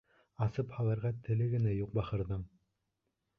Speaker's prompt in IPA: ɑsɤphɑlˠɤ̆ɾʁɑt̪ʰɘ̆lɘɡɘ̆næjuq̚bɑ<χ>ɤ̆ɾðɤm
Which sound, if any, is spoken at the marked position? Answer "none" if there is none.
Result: χ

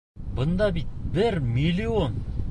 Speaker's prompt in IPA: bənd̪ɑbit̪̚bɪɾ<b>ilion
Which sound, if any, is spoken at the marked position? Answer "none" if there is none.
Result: m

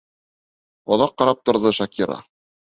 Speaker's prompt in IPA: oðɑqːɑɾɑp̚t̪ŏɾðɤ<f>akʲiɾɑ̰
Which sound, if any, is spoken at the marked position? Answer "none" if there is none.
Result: ʃ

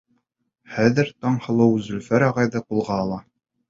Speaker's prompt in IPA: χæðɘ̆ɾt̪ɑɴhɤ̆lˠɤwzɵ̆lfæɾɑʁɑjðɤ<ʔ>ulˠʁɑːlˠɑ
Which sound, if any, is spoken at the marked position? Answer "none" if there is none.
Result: q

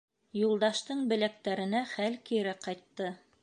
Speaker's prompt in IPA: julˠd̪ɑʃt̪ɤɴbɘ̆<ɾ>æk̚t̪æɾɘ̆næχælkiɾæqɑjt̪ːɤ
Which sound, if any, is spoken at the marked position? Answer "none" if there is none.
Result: l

